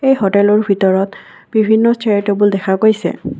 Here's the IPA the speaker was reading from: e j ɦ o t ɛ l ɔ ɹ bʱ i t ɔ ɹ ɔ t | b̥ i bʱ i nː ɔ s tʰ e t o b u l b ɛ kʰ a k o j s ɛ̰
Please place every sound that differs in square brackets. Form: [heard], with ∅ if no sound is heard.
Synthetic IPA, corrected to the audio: e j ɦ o t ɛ l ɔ ɹ bʱ i t ɔ ɹ ɔ t | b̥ i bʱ i nː ɔ s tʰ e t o b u l [d] ɛ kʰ a k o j s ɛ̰